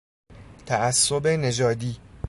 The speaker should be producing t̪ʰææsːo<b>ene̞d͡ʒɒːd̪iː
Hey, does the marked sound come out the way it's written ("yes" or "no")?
yes